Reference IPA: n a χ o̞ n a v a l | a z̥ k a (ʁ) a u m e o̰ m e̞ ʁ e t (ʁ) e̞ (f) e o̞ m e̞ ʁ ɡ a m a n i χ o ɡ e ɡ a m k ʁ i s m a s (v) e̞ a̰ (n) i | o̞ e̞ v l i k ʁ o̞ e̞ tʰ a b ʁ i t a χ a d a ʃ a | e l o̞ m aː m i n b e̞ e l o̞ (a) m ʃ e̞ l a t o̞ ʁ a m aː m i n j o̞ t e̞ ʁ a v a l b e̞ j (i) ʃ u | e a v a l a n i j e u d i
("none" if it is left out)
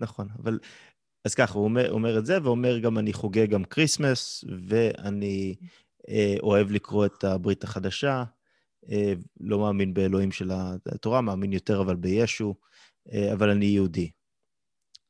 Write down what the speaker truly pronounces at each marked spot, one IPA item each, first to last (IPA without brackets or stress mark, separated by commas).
χ, z, v, v, n, i, e